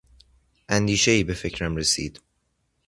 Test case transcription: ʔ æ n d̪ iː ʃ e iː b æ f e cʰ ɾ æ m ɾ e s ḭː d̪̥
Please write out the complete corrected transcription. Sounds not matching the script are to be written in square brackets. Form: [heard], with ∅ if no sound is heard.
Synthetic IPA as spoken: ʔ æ n d̪ iː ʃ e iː b [e] f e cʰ ɾ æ m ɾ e s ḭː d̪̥

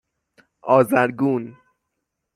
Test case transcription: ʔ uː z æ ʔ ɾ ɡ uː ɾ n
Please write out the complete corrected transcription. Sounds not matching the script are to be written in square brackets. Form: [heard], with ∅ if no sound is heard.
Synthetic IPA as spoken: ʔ [ɒː] z æ [∅] ɾ ɡ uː [∅] n

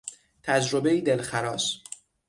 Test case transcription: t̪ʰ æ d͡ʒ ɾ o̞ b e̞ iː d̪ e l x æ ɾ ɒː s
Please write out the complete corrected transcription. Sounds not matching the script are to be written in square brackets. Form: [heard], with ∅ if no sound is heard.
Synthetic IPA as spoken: t̪ʰ æ d͡ʒ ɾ o̞ b e̞ iː d̪ e l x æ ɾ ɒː s

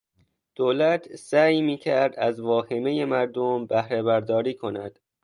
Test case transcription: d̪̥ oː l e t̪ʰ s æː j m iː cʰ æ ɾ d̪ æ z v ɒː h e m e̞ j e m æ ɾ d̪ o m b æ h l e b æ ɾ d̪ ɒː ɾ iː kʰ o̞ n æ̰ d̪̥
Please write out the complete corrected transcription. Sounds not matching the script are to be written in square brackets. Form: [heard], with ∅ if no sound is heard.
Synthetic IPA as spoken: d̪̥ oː l [æ] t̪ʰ s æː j m iː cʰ æ ɾ d̪ æ z v ɒː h e m e̞ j e m æ ɾ d̪ o m b æ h [ɾ] e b æ ɾ d̪ ɒː ɾ iː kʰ o̞ n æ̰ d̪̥

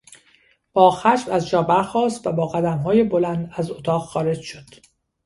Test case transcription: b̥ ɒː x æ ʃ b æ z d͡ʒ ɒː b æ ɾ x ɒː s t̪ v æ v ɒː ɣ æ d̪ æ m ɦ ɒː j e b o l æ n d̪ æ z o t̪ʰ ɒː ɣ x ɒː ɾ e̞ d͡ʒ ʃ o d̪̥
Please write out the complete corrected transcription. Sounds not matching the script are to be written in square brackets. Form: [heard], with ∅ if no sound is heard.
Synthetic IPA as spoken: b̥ ɒː x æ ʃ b æ z d͡ʒ ɒː b æ ɾ x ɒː s t̪ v æ [b] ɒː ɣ æ d̪ æ m ɦ ɒː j e b o l æ n d̪ æ z o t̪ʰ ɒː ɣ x ɒː ɾ e̞ d͡ʒ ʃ o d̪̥

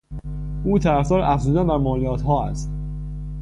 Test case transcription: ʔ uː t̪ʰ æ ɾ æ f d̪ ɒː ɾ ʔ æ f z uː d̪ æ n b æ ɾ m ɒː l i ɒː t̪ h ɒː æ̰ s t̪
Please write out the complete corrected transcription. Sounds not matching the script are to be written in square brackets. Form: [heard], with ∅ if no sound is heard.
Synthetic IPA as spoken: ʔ uː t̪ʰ æ ɾ æ f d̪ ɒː ɾ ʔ æ f z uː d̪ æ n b æ ɾ m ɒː l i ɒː t̪ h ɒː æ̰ s t̪

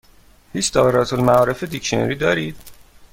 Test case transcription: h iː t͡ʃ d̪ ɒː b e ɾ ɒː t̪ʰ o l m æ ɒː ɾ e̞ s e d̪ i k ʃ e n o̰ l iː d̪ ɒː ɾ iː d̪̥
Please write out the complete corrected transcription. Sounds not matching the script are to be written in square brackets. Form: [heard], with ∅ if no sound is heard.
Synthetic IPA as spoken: h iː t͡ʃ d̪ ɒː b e ɾ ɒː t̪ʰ o l m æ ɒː ɾ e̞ [f] e d̪ i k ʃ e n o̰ [ɾ] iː d̪ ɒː ɾ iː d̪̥

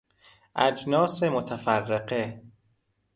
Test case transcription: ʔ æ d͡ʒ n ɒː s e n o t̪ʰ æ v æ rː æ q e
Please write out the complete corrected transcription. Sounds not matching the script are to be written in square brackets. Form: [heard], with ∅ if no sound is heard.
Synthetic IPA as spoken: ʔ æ d͡ʒ n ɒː s e [m] o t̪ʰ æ [f] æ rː [e] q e

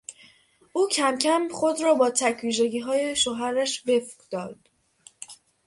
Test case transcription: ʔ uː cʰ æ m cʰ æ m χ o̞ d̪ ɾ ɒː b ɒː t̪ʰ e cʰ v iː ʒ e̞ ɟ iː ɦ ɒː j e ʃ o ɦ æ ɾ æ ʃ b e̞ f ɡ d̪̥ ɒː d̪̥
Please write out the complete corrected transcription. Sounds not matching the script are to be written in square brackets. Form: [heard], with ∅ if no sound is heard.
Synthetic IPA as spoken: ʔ uː cʰ æ m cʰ æ m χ o̞ d̪ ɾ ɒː b ɒː t̪ʰ [æ] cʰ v iː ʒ e̞ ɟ iː ɦ ɒː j e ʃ o ɦ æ ɾ æ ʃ b e̞ f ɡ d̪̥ ɒː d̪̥

